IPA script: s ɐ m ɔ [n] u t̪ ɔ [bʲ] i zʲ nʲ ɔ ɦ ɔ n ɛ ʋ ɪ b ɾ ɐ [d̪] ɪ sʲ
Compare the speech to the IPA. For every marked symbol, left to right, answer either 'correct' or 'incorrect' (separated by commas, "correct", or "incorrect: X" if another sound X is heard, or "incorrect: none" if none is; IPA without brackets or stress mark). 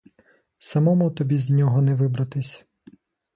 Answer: incorrect: m, correct, incorrect: t̪